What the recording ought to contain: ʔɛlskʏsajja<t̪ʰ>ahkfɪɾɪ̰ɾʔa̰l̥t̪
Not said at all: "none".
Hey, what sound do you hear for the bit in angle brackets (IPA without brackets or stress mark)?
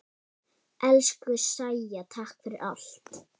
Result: t̪ʰ